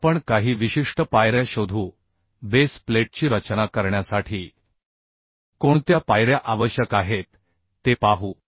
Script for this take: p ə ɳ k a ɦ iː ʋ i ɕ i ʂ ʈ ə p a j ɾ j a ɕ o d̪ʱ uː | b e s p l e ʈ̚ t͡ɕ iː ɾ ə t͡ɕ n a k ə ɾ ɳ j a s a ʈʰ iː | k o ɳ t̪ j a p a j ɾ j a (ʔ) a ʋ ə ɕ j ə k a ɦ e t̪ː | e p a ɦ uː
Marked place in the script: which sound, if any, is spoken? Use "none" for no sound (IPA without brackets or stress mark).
ʔ